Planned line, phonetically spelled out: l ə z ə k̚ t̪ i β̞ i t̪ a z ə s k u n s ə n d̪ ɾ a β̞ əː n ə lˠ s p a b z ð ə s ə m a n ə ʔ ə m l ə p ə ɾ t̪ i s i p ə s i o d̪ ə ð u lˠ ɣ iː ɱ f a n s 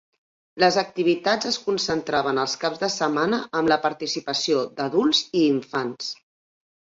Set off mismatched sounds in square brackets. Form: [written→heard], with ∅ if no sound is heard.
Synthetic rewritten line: l ə z ə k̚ t̪ i β̞ i t̪ a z ə s k u n s ə n [d̪→t̪] ɾ a β̞ [əː→ə] n ə lˠ s [p→k] a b z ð ə s ə m a n ə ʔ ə m l ə p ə ɾ t̪ i s i p ə s i o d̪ ə ð u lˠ [ɣ→z] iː ɱ f a n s